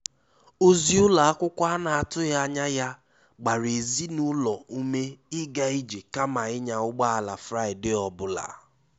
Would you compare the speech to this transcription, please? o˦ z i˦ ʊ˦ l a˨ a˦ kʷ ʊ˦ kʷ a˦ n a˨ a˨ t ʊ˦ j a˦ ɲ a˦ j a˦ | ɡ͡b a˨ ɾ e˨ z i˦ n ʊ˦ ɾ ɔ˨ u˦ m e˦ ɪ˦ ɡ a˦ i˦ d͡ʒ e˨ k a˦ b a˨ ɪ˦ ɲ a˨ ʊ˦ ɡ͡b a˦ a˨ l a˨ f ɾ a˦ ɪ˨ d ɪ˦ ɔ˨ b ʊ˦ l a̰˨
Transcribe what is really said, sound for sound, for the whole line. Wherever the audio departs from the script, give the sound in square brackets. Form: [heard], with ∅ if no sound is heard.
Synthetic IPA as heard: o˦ z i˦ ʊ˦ l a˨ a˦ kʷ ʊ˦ kʷ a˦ n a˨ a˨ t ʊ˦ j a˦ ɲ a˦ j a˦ | ɡ͡b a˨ ɾ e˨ z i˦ n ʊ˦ [l] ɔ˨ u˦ m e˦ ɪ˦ ɡ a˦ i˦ d͡ʒ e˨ k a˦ [m] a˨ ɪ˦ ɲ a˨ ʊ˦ ɡ͡b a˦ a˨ l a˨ f ɾ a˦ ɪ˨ d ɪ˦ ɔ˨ b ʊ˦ l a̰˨

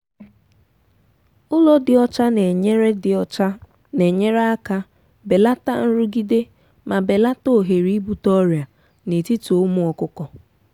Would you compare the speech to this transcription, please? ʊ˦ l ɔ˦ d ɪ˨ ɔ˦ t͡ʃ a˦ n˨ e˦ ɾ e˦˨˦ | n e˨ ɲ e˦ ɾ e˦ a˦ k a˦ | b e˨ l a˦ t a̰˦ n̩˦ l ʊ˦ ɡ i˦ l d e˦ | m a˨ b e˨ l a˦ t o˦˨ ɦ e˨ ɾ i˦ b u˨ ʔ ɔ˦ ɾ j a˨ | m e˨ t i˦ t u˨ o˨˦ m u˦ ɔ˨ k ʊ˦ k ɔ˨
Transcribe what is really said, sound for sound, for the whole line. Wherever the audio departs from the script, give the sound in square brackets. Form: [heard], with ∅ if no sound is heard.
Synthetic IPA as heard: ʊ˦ l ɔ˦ d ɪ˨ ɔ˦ t͡ʃ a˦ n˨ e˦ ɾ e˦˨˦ | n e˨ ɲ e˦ ɾ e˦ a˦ k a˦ | b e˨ l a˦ t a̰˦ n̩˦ [ɾ] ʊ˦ ɡ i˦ [∅] d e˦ | m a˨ b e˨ l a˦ t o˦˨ ɦ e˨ ɾ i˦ b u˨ [t] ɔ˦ ɾ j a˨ | [n] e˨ t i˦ t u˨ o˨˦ m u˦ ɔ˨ k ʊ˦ k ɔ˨

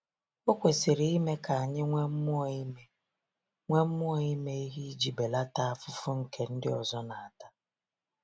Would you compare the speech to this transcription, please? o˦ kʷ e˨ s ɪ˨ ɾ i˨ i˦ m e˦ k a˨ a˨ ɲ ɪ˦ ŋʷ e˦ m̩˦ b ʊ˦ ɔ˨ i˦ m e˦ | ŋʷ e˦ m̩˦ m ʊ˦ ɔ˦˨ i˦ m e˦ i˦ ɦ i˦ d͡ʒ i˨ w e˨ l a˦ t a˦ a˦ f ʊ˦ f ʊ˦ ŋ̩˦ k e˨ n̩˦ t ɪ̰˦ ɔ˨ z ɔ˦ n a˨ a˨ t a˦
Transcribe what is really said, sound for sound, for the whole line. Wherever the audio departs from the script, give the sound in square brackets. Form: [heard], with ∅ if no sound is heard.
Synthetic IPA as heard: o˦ kʷ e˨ s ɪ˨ ɾ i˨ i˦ m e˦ k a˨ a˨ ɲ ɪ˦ ŋʷ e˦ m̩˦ [m] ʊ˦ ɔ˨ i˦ m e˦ | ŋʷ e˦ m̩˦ m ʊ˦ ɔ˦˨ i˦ m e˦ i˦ ɦ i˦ d͡ʒ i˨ [b] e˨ l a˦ t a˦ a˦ f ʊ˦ f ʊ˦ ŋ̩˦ k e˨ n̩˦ [d] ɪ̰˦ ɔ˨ z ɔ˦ n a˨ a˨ t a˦

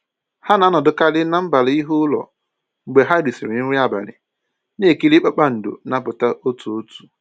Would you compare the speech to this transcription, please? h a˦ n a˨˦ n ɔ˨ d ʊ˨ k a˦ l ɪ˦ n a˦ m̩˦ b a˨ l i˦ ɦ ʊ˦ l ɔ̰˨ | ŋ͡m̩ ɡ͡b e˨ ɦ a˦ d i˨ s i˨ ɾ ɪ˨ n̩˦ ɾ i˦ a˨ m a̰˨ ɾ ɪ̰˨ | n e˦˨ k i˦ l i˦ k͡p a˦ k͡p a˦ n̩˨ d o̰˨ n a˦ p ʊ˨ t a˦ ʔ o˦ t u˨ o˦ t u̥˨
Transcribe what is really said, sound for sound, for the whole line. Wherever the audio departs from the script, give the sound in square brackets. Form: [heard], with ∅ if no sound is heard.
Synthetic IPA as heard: h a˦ n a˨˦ n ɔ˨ d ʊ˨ k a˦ l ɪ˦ n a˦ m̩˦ b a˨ l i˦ ɦ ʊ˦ l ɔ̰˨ | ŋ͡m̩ ɡ͡b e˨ ɦ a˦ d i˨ s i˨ ɾ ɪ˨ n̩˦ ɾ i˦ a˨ [b] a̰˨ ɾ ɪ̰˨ | n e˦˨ k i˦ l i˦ k͡p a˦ k͡p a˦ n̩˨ d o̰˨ n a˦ p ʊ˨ t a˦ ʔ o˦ t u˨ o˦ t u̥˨

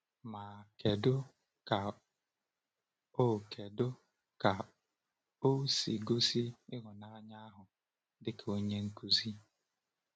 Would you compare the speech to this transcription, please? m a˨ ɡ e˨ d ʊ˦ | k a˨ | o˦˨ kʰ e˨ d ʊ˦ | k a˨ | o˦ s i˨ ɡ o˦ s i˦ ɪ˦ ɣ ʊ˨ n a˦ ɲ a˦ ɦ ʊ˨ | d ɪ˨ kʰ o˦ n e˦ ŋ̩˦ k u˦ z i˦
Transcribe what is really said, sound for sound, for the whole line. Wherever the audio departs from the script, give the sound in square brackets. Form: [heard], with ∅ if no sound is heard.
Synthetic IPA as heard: m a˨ [k] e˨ d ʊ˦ | k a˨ | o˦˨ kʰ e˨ d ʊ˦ | k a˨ | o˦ s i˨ ɡ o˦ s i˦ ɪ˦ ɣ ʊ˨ n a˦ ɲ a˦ ɦ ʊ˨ | d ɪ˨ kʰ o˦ [ɲ] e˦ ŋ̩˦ k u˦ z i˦

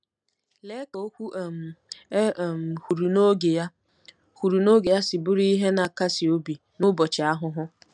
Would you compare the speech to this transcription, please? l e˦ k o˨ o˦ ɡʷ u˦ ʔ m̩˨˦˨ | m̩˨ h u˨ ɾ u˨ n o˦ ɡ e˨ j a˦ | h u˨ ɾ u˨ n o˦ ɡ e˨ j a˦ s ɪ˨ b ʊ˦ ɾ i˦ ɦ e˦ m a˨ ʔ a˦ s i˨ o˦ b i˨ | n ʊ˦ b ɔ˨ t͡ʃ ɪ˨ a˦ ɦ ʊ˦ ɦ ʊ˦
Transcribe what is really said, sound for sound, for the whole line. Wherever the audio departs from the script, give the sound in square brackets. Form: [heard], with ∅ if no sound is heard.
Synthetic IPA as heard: l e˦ k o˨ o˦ [kʷ] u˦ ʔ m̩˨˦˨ | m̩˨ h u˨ ɾ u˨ n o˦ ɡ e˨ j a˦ | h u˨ ɾ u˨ n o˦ ɡ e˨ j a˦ s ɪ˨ b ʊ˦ ɾ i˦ ɦ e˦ [n] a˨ [k] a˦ s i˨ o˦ b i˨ | n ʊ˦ b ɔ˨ t͡ʃ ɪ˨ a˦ ɦ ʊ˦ ɦ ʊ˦

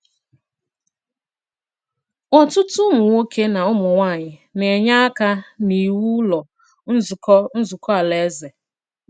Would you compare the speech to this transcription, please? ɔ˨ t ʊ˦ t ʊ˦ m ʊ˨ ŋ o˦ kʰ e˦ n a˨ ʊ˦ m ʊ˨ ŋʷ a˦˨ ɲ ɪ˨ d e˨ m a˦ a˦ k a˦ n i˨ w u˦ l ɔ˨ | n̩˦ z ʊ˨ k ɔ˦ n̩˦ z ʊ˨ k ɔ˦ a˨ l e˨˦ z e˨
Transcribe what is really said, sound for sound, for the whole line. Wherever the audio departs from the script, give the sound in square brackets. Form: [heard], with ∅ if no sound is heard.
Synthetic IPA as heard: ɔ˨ t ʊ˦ t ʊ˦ m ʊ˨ ŋ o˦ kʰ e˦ n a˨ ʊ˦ m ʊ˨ ŋʷ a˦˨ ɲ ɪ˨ [n] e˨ [ɲ] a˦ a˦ k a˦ n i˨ w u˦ l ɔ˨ | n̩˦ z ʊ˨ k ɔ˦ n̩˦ z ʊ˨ k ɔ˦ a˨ l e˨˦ z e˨

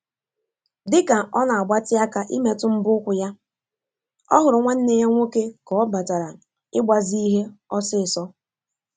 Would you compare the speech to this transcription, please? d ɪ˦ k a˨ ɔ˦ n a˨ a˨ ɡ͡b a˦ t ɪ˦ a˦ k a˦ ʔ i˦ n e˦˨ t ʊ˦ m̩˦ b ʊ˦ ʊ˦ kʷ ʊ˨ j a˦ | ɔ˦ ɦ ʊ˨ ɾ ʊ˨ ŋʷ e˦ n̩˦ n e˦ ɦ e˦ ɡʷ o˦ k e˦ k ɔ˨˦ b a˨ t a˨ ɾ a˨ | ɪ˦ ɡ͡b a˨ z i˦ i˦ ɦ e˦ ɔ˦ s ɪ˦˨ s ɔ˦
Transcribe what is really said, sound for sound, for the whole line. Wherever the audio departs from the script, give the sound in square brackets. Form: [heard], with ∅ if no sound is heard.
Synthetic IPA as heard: d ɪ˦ k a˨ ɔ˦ n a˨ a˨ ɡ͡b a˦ t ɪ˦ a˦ k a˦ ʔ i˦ [m] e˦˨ t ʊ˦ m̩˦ b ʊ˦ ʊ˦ kʷ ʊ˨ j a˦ | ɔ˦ ɦ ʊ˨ ɾ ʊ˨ ŋʷ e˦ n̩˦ n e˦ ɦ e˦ [ŋʷ] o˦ k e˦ k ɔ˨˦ b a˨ t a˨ ɾ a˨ | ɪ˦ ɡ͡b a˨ z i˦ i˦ ɦ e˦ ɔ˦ s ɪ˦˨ s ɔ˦

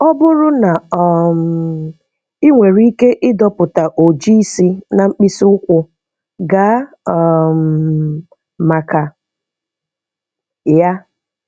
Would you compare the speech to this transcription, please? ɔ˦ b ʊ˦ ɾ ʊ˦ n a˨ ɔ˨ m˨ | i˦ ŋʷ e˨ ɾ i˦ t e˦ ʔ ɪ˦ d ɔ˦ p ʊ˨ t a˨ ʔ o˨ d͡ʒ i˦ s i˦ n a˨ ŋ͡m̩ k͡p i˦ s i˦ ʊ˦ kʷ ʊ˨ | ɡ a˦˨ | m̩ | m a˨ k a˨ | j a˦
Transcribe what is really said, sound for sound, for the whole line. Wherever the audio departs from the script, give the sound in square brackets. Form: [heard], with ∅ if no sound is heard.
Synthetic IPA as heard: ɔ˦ b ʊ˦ ɾ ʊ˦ n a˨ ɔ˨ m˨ | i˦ ŋʷ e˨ ɾ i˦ [k] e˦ ʔ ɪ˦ d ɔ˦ p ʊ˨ t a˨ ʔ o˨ d͡ʒ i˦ s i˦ n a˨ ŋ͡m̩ k͡p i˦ s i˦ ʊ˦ kʷ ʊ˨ | ɡ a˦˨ | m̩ | m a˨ k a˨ | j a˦

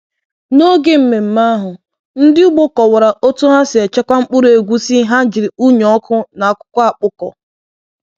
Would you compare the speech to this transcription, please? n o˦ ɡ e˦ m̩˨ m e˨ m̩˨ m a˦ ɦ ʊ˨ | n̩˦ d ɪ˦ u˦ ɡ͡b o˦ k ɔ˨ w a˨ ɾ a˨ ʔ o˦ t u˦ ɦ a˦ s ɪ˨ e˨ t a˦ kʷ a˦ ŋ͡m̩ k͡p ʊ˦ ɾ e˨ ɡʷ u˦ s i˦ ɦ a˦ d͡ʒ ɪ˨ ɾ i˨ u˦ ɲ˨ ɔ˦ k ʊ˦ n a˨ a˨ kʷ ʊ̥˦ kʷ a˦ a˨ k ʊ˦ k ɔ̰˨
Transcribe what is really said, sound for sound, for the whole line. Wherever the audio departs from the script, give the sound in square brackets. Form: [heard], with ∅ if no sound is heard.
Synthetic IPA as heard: n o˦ ɡ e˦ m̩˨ m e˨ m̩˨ m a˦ ɦ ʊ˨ | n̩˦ d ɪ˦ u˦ ɡ͡b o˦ k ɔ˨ w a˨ ɾ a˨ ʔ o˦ t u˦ ɦ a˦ s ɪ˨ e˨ [t͡ʃ] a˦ kʷ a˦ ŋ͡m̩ k͡p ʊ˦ ɾ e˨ ɡʷ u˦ s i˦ ɦ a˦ d͡ʒ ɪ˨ ɾ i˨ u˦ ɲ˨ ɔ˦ k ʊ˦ n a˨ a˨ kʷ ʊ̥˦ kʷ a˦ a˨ [k͡p] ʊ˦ k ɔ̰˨

